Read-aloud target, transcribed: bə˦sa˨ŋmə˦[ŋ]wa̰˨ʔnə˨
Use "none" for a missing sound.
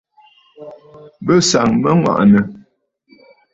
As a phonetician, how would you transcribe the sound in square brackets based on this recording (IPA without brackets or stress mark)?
ŋ